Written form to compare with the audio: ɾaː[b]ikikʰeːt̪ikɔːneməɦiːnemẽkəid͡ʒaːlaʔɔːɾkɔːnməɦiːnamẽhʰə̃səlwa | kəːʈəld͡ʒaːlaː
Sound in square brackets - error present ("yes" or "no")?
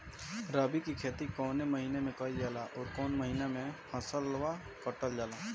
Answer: no